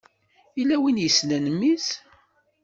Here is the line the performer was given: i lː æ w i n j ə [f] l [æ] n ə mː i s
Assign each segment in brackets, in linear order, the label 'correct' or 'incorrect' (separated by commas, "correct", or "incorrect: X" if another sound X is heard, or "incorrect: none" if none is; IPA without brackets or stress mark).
incorrect: s, correct